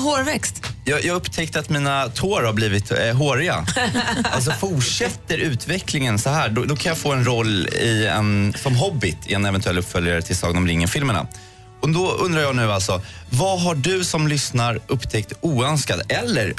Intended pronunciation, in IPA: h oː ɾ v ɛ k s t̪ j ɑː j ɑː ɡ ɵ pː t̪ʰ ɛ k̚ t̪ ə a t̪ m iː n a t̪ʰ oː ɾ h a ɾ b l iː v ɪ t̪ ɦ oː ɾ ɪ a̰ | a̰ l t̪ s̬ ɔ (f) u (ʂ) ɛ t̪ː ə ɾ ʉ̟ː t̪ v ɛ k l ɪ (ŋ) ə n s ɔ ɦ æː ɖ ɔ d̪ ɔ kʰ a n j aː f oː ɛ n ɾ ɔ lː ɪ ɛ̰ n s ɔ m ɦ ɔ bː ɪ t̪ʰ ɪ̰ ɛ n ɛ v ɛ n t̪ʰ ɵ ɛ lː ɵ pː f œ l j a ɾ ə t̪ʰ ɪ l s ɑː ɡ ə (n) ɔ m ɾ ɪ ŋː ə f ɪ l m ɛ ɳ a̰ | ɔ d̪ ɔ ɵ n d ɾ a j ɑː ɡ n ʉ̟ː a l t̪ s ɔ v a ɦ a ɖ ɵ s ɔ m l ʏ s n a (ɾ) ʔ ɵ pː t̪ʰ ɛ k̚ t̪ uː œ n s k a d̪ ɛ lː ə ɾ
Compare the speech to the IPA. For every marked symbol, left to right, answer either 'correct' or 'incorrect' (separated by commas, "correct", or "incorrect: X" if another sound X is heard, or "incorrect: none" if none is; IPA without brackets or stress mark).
correct, correct, correct, correct, correct